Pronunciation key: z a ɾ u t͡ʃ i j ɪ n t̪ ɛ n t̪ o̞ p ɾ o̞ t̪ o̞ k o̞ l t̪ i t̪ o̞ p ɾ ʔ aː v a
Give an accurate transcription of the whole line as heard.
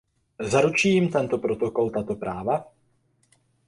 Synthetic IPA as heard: z a ɾ u t͡ʃ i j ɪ m t̪ ɛ n t̪ o̞ p ɾ o̞ t̪ o̞ k o̞ l t̪ a t̪ o̞ p ɾ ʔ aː v a